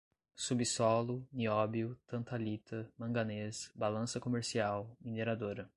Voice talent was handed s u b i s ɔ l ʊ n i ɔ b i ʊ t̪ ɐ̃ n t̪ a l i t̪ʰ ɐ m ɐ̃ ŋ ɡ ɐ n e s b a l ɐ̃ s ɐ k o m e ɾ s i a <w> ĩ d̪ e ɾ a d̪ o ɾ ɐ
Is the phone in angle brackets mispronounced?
no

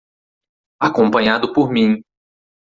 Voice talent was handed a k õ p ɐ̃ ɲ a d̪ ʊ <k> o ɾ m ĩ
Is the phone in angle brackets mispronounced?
yes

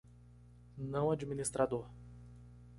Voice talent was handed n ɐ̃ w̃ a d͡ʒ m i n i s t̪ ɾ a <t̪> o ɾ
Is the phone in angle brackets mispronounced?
yes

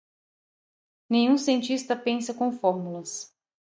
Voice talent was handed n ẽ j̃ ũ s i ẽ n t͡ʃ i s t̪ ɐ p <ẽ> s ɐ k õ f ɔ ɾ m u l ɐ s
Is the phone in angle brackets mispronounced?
no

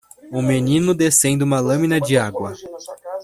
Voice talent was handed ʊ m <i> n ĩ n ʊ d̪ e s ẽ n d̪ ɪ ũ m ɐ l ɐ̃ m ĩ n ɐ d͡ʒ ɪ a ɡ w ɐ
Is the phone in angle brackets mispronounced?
yes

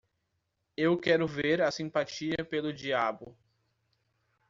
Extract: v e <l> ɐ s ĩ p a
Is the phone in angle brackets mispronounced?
yes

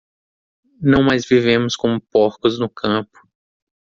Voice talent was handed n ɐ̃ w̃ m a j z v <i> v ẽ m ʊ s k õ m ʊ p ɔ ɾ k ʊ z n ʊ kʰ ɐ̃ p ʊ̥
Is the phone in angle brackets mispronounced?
no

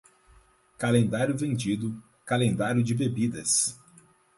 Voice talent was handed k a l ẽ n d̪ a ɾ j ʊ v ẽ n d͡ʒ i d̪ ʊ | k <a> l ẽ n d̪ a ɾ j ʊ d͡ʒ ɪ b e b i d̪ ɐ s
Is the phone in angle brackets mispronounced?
no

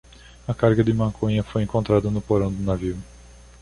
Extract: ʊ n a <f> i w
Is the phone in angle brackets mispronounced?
yes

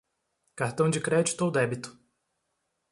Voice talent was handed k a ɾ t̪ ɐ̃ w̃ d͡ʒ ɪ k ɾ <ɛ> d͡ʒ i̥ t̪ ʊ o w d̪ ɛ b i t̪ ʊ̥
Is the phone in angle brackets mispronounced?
no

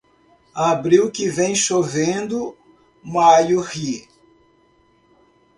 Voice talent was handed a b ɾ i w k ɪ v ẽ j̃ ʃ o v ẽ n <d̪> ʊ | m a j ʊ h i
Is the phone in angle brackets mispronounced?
no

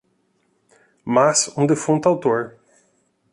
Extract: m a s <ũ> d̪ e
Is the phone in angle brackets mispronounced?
no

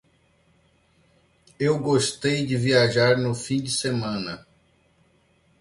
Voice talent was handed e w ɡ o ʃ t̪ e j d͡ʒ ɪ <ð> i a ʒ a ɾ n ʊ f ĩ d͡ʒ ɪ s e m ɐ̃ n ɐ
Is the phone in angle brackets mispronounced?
yes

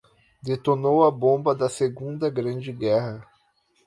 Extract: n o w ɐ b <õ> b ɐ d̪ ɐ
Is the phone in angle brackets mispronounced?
no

